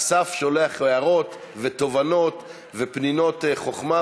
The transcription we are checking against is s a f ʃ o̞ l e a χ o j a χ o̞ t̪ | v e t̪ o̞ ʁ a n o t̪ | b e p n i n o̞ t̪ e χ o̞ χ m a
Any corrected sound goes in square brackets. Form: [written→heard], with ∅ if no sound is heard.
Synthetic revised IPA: s a f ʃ o̞ l e a χ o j a [χ→ʁ] o̞ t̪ | v e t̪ o̞ [ʁ→v] a n o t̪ | [b→v] e p n i n o̞ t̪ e χ o̞ χ m a